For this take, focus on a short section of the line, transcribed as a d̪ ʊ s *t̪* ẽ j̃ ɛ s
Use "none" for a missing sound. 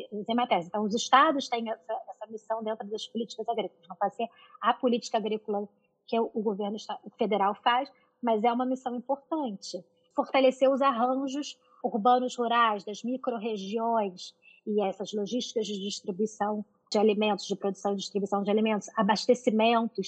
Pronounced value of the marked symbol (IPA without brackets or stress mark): t̪